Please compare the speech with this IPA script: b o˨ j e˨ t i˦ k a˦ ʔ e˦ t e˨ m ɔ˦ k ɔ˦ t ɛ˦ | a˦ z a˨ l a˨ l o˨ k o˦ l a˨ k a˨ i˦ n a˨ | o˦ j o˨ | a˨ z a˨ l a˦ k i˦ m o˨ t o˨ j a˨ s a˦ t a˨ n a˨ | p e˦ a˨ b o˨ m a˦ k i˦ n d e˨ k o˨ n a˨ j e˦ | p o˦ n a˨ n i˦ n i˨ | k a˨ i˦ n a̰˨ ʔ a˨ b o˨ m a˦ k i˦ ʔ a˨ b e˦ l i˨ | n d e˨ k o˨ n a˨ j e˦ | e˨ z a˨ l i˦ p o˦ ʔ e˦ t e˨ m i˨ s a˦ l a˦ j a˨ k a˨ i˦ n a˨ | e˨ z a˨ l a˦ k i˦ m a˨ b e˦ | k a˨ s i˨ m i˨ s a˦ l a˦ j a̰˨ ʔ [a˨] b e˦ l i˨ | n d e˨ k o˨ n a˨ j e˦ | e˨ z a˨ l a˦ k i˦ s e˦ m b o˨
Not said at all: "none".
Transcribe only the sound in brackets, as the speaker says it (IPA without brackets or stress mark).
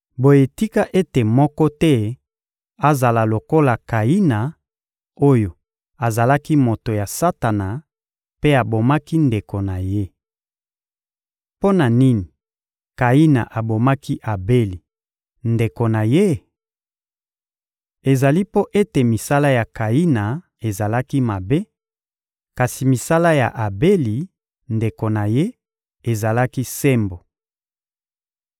a˨